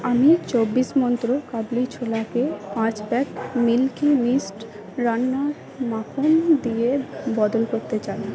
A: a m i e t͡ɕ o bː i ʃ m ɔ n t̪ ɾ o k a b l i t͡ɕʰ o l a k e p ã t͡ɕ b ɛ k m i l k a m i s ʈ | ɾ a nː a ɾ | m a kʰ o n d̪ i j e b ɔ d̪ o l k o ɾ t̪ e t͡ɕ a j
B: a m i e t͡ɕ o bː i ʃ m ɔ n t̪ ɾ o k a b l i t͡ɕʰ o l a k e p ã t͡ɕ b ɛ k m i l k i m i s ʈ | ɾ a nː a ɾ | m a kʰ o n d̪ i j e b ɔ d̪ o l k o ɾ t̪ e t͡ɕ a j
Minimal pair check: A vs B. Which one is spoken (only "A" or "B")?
B